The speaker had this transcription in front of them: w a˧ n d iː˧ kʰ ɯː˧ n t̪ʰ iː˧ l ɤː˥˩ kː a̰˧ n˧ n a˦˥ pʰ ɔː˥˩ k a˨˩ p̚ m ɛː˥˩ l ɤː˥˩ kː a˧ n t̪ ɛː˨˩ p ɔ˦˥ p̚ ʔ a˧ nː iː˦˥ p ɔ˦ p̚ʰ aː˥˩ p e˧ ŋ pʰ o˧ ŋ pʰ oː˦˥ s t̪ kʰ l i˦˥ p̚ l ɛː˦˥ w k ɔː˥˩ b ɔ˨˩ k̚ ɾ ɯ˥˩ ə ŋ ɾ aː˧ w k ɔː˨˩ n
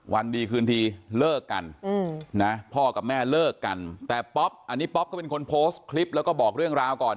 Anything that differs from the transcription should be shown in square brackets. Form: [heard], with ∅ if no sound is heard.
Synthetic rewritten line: w a˧ n d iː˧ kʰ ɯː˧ n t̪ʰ iː˧ l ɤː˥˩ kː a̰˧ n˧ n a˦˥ pʰ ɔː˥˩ k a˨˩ p̚ m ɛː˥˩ l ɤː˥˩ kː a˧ n t̪ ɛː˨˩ p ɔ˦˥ p̚ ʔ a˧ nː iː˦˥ p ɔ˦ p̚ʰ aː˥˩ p e˧ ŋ [kʰ] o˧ [n] pʰ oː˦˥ s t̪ kʰ l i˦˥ p̚ l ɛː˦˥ w k ɔː˥˩ b [ɔː˨˩] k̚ ɾ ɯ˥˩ ə ŋ ɾ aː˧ w k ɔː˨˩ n